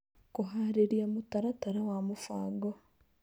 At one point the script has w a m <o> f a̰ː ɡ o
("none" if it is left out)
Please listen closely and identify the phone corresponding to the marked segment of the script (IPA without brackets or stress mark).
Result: u